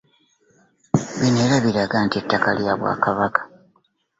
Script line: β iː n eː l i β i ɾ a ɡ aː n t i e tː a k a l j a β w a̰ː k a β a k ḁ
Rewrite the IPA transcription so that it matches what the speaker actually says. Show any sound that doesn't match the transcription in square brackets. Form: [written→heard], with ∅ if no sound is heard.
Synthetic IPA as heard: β [iː→i] n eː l [i→a] β i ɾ a ɡ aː n t i e tː a k a l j a β w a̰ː k a β a k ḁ